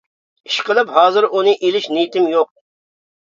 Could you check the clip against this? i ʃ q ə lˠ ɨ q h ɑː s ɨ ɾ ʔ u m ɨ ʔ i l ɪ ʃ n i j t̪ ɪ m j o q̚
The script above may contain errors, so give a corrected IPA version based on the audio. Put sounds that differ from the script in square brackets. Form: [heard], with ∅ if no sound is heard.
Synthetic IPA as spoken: i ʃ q ə lˠ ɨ [p] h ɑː [z] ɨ ɾ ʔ u [n] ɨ ʔ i l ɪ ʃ n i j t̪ ɪ m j o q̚